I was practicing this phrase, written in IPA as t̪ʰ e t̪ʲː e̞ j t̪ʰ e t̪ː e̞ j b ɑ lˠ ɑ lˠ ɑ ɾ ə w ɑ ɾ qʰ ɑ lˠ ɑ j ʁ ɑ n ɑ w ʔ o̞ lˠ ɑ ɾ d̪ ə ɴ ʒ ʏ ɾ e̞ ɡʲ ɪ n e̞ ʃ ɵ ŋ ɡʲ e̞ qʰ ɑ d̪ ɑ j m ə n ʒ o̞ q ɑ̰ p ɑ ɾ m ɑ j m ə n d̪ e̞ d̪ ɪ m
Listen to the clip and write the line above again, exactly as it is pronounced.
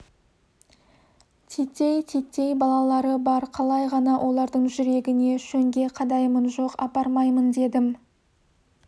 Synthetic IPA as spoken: t̪ʰ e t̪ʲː e̞ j t̪ʰ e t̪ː e̞ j b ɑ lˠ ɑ lˠ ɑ ɾ ə b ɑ ɾ qʰ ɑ lˠ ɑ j ʁ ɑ n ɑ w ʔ o̞ lˠ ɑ ɾ d̪ ə ɴ ʒ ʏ ɾ e̞ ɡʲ ɪ n e̞ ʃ ɵ ŋ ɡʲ e̞ qʰ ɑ d̪ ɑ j m ə n ʒ o̞ q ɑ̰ p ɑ ɾ m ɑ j m ə n d̪ e̞ d̪ ɪ m